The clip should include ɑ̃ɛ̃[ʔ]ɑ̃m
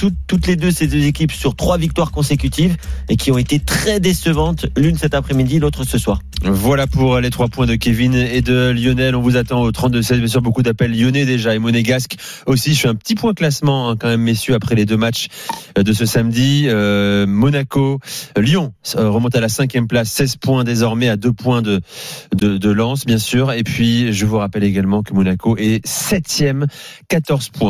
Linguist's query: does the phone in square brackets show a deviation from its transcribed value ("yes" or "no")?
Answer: yes